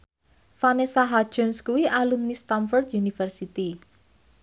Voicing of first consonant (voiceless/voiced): voiceless